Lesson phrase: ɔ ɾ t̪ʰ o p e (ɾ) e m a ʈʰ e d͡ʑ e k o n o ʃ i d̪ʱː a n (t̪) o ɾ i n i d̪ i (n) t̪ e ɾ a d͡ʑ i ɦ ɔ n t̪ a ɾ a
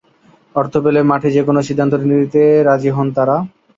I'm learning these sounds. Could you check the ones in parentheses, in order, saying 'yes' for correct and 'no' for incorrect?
no, yes, no

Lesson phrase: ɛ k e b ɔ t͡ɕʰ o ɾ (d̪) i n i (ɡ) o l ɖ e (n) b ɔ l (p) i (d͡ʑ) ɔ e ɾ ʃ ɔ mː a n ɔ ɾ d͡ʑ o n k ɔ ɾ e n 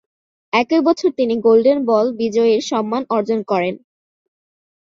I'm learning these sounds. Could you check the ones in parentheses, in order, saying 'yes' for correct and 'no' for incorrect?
no, yes, yes, no, yes

